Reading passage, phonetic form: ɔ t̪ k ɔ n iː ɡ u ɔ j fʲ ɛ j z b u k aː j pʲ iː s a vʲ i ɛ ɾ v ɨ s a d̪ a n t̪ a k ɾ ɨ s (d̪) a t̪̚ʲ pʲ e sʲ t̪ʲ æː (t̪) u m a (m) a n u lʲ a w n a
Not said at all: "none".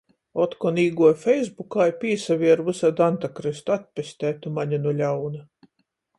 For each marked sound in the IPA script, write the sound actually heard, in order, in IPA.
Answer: t̪, t̪, ɲ

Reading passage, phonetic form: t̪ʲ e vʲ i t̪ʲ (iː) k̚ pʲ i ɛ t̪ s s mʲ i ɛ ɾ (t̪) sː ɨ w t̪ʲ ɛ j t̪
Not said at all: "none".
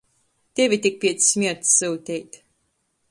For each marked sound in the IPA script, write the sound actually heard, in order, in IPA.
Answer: i, t̪

